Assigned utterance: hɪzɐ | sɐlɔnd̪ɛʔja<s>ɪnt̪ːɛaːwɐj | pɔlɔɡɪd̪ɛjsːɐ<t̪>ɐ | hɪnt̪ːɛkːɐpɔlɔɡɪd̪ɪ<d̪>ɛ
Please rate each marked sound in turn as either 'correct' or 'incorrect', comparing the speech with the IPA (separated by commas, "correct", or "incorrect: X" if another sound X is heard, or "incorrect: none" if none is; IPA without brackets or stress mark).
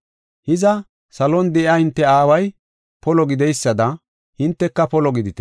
incorrect: h, incorrect: d̪, incorrect: t̪